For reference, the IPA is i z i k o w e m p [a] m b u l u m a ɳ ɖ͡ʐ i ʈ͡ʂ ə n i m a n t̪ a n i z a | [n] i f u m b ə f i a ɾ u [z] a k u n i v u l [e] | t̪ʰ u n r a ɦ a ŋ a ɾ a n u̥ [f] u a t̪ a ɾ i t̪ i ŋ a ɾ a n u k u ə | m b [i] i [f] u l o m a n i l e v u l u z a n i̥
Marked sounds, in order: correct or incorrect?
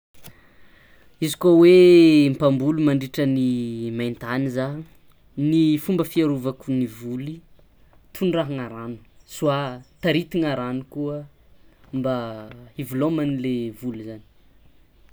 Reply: correct, correct, incorrect: v, incorrect: i, incorrect: s, incorrect: a, incorrect: v

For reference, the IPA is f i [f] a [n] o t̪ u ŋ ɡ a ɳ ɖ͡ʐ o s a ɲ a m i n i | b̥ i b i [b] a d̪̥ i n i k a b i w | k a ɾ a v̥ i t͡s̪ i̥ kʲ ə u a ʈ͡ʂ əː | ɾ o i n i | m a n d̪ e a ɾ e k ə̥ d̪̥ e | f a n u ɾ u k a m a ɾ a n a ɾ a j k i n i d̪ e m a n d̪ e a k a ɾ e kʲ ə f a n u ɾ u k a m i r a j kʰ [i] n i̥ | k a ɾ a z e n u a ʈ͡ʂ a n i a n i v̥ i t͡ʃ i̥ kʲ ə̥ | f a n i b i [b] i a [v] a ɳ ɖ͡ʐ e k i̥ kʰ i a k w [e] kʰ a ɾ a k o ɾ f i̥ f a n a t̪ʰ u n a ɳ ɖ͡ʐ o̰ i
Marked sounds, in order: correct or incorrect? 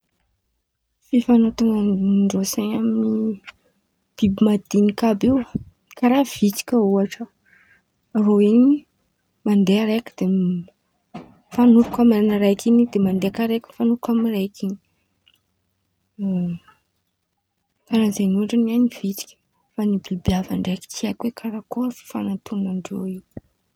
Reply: correct, correct, incorrect: m, correct, correct, correct, correct

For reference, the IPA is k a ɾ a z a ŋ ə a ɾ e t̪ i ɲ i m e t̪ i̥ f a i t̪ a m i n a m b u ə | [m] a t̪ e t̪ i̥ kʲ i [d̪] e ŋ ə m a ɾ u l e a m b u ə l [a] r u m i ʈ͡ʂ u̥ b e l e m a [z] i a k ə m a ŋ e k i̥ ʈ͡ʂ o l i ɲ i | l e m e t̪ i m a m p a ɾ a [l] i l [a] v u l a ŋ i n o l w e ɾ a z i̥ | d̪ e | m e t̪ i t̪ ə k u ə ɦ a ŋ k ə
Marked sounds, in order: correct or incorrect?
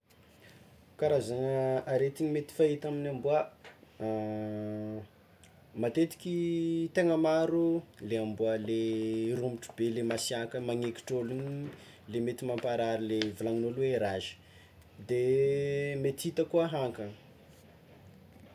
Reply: correct, incorrect: t̪, incorrect: e, incorrect: s, incorrect: ɾ, incorrect: e

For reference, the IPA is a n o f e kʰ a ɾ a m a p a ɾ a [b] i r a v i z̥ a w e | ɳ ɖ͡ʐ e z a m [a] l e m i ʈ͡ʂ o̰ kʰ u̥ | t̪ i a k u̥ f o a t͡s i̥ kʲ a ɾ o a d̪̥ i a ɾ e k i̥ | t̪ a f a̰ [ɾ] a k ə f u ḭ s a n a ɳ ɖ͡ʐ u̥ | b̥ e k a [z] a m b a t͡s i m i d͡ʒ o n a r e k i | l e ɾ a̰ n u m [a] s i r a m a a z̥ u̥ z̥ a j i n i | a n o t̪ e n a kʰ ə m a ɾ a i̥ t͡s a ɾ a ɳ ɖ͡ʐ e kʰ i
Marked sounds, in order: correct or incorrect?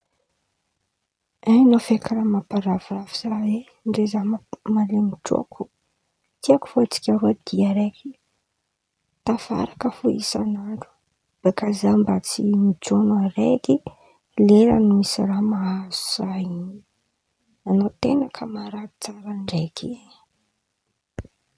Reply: incorrect: v, correct, correct, correct, incorrect: i

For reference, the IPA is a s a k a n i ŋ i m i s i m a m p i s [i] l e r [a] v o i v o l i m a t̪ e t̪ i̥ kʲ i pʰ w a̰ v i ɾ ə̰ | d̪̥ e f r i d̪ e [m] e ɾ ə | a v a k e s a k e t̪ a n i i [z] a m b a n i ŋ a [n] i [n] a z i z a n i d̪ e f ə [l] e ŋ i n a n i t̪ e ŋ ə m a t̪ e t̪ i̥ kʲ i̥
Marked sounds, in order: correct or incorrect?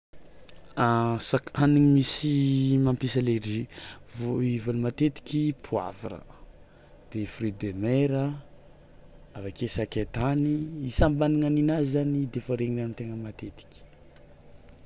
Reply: incorrect: a, incorrect: i, correct, incorrect: s, correct, correct, incorrect: ɾ

